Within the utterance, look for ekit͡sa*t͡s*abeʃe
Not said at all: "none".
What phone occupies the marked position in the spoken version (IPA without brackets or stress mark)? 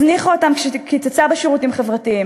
t͡s